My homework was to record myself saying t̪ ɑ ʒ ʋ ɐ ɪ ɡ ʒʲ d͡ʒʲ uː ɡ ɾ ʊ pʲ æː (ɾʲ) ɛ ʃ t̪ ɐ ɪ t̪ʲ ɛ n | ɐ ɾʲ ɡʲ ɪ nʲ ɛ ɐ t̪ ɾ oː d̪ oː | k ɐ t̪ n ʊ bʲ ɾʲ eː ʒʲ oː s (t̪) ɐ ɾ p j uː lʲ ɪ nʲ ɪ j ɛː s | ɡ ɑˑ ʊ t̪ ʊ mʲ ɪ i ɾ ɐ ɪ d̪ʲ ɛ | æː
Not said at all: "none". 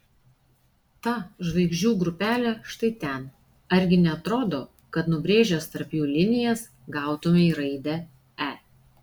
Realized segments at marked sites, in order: lʲ, t̪

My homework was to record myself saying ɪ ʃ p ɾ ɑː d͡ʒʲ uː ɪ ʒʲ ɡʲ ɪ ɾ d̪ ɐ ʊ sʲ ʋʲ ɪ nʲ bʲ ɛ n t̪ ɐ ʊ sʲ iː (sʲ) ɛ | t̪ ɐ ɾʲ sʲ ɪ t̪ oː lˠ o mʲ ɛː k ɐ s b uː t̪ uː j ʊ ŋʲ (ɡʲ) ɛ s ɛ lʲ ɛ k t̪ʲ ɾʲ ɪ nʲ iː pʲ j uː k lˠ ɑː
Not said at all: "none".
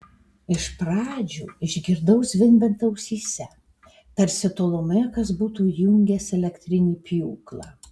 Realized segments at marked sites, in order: sʲ, ɡʲ

